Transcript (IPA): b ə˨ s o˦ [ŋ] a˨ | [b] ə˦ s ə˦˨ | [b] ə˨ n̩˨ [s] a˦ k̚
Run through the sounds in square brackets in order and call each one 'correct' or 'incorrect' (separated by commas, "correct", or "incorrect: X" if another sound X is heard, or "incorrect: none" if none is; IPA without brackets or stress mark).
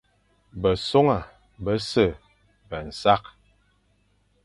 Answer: correct, correct, correct, correct